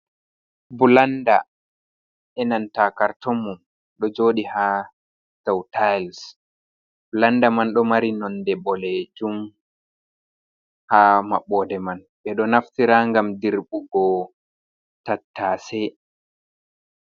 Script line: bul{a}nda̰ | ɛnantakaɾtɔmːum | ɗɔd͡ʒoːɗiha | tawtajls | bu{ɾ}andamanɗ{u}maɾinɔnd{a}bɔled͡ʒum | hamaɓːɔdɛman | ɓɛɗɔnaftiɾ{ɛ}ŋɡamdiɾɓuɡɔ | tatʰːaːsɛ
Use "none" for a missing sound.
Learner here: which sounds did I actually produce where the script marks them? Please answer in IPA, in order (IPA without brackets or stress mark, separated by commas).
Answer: a, l, ɔ, ɛ, a